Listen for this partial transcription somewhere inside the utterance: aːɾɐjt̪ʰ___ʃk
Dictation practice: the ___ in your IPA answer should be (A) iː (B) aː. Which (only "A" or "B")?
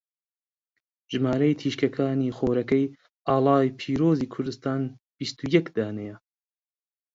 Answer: A